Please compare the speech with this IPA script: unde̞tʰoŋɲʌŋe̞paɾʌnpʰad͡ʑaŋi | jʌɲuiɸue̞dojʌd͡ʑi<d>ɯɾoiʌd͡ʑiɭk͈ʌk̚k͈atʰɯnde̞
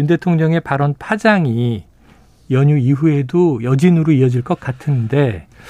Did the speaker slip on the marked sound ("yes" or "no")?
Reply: yes